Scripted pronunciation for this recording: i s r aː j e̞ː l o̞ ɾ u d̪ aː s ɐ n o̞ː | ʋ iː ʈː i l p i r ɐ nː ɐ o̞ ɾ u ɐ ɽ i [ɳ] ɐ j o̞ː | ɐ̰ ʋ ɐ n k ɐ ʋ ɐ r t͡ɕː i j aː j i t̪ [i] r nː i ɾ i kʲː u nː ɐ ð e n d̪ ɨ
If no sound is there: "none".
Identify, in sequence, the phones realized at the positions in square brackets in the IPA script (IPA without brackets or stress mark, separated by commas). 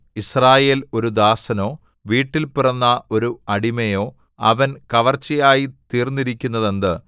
m, iː